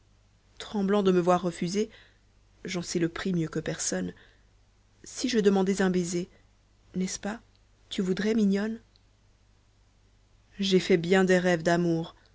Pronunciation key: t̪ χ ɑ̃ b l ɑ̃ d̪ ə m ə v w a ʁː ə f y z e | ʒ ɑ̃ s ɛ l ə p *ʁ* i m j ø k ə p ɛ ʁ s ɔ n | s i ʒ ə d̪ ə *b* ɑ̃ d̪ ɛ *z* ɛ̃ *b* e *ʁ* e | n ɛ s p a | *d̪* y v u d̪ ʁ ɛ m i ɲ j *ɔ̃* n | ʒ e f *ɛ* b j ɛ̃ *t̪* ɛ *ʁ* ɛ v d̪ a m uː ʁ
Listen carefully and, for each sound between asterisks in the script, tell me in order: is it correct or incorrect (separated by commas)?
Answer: incorrect, incorrect, correct, correct, incorrect, incorrect, incorrect, correct, incorrect, correct